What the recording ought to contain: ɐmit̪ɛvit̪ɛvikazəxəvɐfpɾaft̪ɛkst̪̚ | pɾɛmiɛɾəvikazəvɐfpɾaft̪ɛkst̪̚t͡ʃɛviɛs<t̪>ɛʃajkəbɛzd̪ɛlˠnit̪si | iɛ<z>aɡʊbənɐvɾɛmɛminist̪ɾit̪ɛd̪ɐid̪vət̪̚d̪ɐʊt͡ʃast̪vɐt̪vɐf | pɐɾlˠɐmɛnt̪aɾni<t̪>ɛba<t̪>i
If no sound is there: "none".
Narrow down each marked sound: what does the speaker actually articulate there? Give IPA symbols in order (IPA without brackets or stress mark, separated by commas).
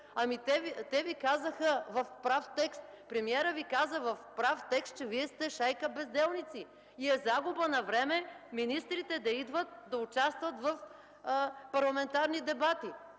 t̪, z, d̪, t̪